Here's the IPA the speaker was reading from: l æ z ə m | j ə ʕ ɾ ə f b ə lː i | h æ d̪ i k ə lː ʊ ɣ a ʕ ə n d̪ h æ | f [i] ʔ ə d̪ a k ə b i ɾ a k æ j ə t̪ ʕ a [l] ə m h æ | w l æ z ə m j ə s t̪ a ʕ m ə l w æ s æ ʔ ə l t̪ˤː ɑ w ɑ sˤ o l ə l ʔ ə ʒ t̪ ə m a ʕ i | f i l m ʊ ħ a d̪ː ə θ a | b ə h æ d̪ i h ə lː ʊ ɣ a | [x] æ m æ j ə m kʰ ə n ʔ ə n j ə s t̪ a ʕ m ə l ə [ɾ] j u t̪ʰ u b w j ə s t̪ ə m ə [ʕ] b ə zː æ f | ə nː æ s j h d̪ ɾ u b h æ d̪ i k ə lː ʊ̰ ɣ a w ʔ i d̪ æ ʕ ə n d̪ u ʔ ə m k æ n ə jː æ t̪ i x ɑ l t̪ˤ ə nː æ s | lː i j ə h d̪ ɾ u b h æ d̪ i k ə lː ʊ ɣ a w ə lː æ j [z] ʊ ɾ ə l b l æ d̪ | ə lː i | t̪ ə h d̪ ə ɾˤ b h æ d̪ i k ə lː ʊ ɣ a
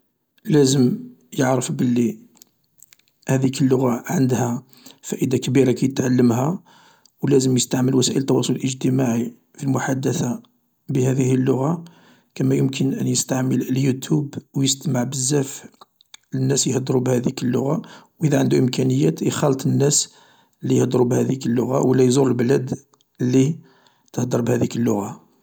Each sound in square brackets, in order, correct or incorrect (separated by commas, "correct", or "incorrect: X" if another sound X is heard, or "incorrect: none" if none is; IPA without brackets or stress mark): incorrect: æ, incorrect: lː, incorrect: k, incorrect: l, correct, correct